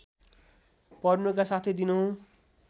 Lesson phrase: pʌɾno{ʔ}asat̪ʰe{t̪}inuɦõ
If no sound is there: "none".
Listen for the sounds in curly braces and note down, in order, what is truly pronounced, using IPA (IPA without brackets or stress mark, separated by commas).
k, d̪